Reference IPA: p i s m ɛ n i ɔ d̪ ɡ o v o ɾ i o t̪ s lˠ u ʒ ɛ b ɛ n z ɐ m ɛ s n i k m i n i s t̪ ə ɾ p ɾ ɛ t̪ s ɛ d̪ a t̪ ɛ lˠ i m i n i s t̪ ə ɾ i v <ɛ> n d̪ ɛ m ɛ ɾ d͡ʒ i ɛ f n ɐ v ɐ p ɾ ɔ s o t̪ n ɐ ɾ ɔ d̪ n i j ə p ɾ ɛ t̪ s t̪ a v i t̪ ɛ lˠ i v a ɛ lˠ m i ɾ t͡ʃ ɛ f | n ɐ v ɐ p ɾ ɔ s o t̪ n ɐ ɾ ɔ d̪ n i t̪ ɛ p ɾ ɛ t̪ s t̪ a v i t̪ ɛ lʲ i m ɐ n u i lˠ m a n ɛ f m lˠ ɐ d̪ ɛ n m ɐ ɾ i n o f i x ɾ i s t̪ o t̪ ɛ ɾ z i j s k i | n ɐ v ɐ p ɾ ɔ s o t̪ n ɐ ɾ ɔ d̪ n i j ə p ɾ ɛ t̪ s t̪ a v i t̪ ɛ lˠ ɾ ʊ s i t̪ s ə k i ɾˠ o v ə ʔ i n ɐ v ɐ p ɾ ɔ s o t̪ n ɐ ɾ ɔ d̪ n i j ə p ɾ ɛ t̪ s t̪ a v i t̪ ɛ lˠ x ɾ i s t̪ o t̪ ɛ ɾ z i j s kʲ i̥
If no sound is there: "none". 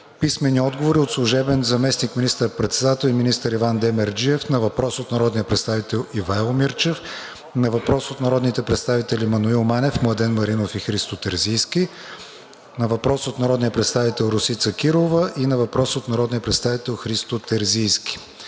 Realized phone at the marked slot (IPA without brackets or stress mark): a